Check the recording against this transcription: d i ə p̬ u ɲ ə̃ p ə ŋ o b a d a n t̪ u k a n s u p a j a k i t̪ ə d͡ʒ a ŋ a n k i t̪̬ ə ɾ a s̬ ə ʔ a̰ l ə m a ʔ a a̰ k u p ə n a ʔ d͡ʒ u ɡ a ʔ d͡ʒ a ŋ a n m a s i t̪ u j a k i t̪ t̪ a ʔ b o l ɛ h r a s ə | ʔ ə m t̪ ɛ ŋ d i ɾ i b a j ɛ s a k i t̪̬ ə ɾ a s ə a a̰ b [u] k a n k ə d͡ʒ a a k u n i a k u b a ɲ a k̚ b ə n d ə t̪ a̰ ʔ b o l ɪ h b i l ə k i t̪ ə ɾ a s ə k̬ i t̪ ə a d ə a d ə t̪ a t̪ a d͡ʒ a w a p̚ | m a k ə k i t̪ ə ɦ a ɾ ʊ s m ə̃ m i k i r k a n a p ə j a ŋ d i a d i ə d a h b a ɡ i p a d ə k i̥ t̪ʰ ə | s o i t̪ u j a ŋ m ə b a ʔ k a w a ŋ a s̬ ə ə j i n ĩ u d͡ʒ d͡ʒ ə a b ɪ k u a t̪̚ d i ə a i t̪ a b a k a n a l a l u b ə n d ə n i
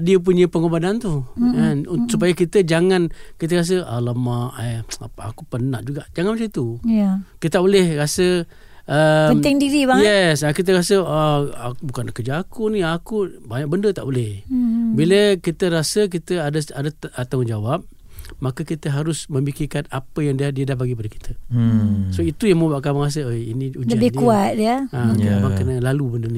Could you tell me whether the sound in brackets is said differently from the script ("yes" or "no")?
no